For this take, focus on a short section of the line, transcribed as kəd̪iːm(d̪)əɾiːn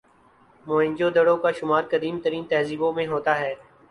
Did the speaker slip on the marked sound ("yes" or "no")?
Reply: yes